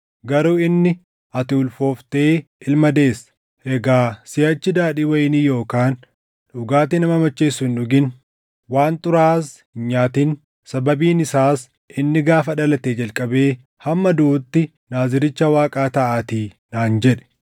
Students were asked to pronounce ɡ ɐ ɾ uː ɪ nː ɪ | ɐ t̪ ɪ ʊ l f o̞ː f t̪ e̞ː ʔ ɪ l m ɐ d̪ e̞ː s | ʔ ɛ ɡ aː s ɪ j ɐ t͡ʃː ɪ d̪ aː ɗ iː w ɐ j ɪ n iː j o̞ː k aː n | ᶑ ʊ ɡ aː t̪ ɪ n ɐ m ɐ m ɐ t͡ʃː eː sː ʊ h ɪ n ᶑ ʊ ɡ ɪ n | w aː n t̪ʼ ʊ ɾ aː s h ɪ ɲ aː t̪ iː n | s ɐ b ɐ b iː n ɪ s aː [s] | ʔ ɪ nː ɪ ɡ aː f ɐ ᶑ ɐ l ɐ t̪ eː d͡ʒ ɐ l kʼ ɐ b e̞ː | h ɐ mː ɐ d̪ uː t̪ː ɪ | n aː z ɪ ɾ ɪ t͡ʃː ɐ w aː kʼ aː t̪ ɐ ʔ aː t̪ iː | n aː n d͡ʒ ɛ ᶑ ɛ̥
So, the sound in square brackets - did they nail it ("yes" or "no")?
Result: yes